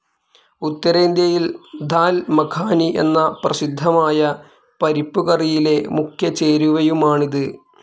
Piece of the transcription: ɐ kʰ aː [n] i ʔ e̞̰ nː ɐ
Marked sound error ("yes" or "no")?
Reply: no